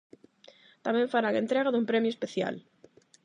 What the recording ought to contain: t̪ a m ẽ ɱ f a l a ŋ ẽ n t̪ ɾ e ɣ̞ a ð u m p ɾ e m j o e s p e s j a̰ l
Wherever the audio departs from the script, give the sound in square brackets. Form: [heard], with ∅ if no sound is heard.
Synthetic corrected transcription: t̪ a m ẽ ɱ f a [ɾ] a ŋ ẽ n t̪ ɾ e ɣ̞ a ð u m p ɾ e m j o e s p e [θ] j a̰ l